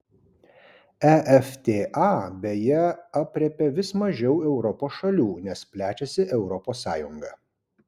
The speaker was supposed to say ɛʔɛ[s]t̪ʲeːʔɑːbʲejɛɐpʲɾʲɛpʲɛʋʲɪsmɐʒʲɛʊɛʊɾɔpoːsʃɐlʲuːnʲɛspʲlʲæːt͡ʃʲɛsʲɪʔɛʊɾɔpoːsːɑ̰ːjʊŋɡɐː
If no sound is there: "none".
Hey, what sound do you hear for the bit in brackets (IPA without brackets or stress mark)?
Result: f